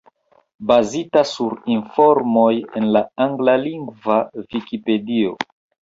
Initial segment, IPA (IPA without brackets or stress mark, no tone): b